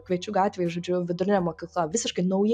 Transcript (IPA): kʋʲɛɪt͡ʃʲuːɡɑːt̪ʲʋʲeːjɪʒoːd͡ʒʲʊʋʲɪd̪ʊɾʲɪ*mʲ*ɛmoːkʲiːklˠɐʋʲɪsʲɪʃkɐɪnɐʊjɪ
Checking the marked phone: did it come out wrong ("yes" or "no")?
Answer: yes